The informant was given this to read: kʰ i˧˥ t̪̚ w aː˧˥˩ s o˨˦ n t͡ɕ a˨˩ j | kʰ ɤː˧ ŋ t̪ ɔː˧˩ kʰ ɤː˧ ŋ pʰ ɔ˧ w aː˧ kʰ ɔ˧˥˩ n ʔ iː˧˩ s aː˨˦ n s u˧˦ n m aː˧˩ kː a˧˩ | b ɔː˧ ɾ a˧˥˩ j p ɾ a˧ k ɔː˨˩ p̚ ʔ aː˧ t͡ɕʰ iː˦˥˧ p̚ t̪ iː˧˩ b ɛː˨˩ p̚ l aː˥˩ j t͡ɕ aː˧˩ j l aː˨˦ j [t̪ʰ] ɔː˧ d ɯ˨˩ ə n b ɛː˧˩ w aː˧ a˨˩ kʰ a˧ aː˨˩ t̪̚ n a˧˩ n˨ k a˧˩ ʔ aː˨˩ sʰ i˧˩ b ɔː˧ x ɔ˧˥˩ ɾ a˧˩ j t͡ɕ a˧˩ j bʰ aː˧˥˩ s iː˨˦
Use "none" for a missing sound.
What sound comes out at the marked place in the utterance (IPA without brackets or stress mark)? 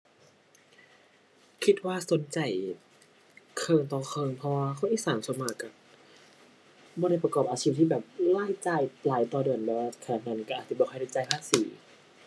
t̪